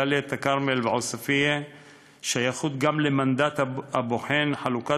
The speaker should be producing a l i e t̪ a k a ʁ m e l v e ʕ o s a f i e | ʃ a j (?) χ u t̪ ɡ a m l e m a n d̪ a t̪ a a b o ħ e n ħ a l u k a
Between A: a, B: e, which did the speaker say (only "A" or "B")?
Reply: A